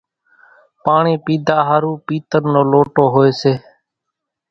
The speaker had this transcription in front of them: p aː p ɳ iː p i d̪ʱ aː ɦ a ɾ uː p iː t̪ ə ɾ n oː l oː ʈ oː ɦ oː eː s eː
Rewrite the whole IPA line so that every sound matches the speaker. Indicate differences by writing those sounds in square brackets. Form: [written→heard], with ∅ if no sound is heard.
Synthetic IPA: p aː [p→∅] ɳ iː p [i→iː] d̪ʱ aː ɦ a ɾ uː p iː t̪ ə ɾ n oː l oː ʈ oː ɦ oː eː s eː